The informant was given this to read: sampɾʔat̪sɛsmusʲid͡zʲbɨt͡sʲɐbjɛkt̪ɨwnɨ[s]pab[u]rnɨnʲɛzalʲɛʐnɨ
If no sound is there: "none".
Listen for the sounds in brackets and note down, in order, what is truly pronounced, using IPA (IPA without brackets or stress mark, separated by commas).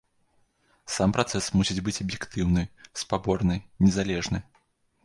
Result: s, ɔ